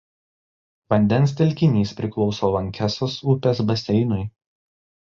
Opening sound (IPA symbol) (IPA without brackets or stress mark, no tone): ʋ